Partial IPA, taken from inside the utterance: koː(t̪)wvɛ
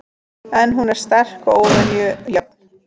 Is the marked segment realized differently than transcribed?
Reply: yes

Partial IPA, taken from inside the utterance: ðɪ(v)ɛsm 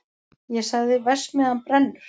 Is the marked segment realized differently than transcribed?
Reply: no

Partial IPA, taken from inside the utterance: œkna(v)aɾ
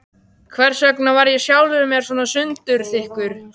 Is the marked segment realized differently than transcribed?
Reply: no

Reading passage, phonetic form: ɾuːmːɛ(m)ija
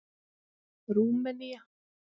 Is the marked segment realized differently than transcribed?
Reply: yes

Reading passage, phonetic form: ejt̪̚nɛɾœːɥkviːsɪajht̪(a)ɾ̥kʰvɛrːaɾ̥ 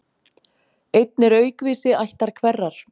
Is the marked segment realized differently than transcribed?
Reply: no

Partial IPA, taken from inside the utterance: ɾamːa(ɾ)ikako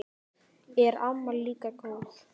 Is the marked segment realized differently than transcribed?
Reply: yes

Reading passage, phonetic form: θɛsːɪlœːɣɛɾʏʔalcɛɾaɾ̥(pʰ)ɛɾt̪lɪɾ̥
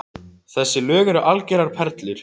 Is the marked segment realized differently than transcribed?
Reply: no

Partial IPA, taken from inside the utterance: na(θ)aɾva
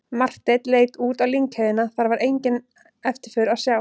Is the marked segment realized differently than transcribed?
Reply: no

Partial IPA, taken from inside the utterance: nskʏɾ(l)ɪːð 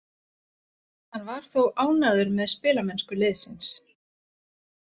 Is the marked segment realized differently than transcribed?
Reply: no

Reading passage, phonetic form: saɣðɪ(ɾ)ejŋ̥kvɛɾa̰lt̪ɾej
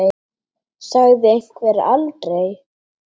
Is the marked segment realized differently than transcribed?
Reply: yes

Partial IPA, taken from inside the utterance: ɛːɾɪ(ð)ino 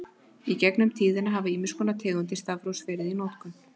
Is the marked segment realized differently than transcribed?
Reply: no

